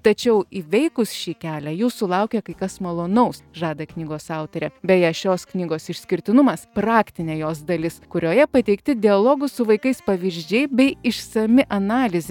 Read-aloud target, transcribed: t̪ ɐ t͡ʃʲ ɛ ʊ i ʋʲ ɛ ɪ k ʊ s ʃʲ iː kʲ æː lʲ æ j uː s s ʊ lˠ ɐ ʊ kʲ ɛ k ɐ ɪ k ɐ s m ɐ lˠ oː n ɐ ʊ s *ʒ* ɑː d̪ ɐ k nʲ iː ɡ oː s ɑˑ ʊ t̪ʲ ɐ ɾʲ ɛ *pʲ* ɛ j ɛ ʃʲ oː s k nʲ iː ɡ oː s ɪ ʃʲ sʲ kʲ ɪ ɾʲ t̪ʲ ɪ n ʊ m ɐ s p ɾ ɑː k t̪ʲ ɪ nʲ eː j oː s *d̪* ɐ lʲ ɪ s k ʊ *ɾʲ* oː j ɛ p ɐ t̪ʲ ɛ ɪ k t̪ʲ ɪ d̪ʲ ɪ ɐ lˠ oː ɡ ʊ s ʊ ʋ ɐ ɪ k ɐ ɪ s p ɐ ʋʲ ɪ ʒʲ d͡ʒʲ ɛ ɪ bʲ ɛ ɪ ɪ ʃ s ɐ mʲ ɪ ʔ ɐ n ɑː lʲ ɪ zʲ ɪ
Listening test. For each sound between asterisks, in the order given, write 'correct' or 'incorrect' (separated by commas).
correct, incorrect, correct, correct